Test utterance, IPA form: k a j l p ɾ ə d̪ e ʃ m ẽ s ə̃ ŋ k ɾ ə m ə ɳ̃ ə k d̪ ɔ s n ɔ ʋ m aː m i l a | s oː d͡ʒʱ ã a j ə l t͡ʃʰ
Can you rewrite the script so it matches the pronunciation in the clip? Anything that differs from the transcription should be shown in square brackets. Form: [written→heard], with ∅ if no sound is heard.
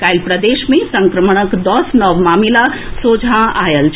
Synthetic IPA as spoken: k a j l p ɾ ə d̪ e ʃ m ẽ s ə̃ ŋ k ɾ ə m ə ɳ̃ ə k d̪ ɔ s n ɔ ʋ m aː m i l a | s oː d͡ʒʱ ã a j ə l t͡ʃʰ